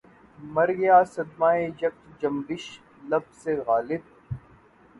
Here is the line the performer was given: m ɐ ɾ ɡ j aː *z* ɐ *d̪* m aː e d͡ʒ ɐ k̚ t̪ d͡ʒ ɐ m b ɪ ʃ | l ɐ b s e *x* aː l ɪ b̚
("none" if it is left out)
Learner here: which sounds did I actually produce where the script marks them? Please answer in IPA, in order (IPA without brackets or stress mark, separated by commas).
s, d̪, ɣ